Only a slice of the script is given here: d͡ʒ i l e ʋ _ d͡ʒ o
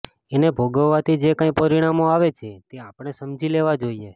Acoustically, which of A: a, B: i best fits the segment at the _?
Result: A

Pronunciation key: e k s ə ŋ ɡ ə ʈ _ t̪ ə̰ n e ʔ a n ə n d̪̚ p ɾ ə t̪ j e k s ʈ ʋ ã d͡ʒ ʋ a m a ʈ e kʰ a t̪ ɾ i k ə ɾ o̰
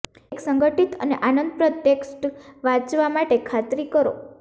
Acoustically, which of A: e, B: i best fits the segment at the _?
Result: B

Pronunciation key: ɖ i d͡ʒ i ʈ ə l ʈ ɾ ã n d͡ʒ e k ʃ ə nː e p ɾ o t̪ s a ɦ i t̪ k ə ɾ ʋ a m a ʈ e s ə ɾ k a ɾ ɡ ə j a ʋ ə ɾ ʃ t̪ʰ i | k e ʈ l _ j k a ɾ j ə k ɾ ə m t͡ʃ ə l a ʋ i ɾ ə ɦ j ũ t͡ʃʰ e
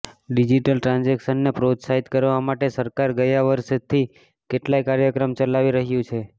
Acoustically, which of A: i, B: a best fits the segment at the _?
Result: B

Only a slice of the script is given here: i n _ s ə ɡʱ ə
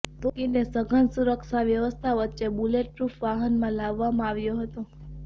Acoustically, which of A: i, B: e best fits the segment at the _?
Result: B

